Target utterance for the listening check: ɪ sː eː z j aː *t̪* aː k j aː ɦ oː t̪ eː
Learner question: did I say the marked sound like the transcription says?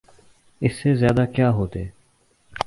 no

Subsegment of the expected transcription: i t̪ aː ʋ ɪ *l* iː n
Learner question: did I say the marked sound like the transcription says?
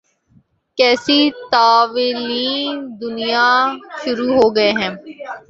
yes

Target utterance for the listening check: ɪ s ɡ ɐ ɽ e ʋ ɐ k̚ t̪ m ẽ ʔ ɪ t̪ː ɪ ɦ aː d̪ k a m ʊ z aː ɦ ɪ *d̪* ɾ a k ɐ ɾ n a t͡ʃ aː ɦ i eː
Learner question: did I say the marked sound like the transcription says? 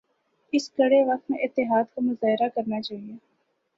no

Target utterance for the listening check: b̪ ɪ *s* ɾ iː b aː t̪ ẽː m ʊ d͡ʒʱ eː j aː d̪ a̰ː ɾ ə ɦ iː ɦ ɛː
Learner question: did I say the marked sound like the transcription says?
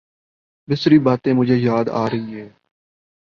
yes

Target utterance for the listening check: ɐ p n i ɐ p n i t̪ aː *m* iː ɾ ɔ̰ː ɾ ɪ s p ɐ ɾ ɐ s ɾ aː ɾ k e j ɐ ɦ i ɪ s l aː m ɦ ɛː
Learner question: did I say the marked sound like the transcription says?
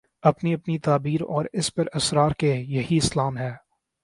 no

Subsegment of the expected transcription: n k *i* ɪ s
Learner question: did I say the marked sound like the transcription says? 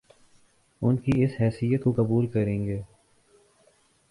yes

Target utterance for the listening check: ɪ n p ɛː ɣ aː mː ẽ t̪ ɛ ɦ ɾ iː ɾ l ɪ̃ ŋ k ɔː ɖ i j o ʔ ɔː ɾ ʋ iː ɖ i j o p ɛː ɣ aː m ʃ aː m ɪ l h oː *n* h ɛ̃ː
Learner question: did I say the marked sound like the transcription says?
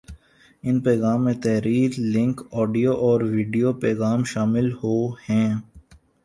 no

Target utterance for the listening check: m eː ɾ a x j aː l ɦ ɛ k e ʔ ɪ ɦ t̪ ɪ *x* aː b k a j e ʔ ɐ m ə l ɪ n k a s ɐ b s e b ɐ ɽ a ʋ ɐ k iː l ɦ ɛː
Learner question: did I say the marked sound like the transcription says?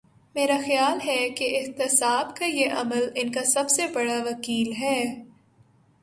no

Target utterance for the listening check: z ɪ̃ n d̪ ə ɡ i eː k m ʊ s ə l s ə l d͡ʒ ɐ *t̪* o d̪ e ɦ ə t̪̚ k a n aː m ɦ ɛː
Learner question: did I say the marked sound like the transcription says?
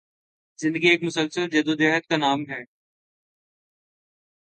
no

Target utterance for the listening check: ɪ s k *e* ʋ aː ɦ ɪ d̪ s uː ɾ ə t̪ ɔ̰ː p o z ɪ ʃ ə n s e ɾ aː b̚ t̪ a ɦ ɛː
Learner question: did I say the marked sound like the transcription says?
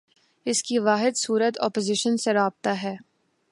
no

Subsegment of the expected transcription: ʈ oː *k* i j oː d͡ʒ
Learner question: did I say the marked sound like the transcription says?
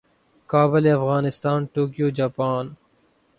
yes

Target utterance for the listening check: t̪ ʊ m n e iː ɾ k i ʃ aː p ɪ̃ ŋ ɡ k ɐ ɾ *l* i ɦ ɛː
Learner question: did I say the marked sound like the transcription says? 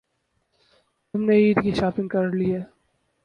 yes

